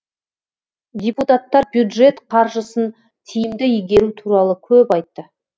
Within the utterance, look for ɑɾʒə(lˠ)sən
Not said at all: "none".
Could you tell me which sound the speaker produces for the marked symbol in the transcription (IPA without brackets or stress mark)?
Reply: none